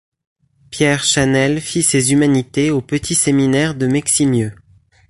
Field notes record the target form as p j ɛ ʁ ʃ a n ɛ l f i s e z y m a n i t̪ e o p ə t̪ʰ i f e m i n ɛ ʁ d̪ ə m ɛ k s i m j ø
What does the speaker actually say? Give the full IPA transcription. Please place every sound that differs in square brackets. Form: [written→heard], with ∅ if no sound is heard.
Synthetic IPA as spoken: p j ɛ ʁ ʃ a n ɛ l f i s e z y m a n i t̪ e o p ə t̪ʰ i [f→s] e m i n ɛ ʁ d̪ ə m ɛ k s i m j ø